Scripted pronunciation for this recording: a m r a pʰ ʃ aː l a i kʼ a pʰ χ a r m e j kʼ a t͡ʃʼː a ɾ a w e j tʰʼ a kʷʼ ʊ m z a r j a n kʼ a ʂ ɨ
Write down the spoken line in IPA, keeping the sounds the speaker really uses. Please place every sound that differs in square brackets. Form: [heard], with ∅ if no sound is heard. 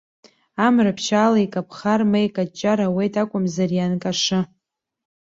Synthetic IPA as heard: a m r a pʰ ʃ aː l a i kʼ a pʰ χ a r m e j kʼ a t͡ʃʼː a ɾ a w e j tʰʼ a kʷʼ ʊ m z a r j a n kʼ a ʂ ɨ